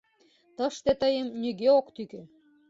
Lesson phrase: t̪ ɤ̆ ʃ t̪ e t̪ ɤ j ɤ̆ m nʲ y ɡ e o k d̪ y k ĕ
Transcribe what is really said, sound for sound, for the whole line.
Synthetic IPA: t̪ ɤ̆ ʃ t̪ e t̪ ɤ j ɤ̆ m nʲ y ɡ e o k t̪ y k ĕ